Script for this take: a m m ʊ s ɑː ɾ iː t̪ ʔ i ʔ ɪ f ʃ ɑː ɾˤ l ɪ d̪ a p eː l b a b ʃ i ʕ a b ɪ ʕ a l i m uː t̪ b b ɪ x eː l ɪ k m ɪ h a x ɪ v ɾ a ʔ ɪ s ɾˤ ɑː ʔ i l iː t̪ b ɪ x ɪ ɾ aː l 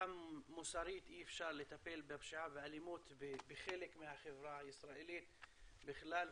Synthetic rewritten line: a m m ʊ s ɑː ɾ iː t̪ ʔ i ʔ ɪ f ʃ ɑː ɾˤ l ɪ t̪ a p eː l b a b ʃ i ʕ a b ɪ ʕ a l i m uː t̪ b b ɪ x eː l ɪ k m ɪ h a x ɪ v ɾ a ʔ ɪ s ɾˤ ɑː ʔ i l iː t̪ b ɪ x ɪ l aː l